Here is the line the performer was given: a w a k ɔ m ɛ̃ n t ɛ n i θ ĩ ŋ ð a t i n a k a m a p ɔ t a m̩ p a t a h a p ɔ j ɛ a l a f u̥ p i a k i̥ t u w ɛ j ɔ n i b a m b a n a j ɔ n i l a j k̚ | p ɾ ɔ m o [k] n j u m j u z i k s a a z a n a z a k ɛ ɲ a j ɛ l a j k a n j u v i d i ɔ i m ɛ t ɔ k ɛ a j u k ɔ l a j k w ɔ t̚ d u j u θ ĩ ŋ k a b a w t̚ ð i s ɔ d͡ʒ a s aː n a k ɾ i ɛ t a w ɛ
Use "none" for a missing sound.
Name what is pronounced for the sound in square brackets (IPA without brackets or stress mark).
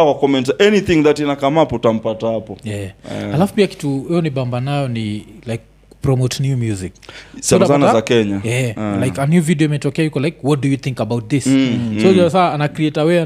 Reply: t